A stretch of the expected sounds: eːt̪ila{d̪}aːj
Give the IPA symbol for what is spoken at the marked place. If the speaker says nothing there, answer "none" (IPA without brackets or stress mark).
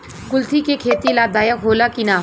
d̪